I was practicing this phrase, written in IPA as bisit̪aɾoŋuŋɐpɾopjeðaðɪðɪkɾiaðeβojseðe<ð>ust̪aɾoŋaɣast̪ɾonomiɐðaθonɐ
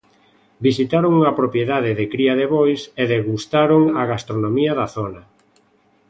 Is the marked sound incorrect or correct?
incorrect